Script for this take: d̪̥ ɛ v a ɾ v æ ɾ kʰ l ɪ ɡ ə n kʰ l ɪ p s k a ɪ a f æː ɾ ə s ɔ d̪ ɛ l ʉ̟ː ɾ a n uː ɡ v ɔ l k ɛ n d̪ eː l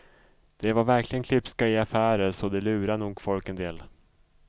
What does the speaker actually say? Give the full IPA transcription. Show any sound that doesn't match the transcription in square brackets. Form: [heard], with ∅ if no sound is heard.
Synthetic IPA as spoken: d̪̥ ɛ v a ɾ v æ ɾ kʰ l ɪ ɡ ə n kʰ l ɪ p s k a ɪ a f æː ɾ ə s ɔ d̪ ɛ l ʉ̟ː ɾ a n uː ɡ [f] ɔ l k ɛ n d̪ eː l